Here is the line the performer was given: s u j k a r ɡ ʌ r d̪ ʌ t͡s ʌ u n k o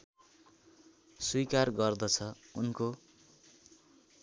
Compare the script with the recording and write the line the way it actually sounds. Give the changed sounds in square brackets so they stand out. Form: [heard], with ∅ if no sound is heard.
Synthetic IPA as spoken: s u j k a r ɡ ʌ r d̪ ʌ [t͡sʰ] ʌ u n k o